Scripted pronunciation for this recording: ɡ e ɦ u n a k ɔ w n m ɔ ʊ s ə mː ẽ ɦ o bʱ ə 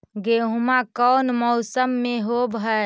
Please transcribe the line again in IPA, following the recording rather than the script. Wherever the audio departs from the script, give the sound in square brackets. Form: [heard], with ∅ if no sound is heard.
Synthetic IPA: ɡ e ɦ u [m] a k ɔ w n m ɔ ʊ s ə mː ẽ ɦ o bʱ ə